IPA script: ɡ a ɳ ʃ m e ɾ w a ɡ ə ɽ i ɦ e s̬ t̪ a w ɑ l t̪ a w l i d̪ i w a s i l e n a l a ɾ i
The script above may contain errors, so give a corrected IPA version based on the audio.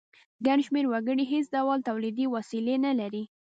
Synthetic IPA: ɡ a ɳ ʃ m e ɾ w a ɡ ə ɽ i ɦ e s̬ d̪ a w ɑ l t̪ a w l i d̪ i w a s i l e n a l a ɾ i